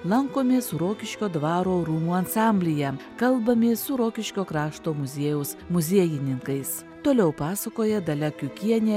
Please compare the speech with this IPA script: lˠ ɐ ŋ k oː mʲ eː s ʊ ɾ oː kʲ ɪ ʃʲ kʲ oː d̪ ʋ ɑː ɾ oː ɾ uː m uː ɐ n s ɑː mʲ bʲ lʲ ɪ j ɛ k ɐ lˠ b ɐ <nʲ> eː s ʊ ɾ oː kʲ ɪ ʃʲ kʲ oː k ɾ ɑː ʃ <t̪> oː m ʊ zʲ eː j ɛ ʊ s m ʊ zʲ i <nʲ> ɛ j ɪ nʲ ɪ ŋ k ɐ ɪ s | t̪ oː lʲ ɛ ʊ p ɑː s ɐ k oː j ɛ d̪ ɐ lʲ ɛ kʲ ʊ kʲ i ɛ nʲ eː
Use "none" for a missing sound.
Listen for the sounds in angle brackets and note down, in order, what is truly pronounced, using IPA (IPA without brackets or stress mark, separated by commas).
mʲ, t̪, none